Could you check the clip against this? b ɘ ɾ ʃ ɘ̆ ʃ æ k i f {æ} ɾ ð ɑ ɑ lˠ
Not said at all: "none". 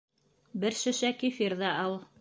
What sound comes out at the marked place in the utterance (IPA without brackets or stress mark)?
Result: i